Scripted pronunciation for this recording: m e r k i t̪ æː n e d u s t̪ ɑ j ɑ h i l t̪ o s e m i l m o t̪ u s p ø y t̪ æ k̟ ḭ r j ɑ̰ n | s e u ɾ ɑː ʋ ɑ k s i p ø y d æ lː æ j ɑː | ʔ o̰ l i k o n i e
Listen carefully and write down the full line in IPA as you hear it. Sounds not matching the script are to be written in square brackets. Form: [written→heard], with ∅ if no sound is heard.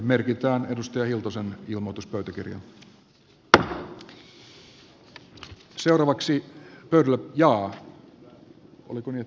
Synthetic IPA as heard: m e r k i t̪ æː n e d u s t̪ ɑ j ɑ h i l t̪ o s e [m→n] i l m o t̪ u s p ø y t̪ æ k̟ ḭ r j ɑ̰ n | s e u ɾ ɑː ʋ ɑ k s i p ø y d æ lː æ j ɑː | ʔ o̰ l i k o n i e